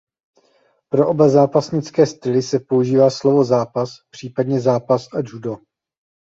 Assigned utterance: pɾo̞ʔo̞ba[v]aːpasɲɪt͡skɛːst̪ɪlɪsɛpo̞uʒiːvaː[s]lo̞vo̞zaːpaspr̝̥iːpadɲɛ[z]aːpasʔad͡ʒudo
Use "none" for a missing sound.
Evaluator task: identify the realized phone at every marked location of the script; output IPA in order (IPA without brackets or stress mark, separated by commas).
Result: z, s, z